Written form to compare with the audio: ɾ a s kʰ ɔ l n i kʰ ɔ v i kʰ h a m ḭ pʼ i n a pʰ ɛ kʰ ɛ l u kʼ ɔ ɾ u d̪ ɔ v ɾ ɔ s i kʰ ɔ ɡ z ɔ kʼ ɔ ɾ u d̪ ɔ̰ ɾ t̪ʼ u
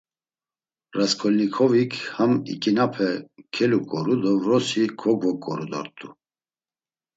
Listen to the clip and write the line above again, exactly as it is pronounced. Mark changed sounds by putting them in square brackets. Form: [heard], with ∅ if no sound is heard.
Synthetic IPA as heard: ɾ a s kʰ ɔ l n i kʰ ɔ v i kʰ h a m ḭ [kʼ] i n a pʰ ɛ kʰ ɛ l u kʼ ɔ ɾ u d̪ ɔ v ɾ ɔ s i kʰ ɔ ɡ [v] ɔ kʼ ɔ ɾ u d̪ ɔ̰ ɾ t̪ʼ u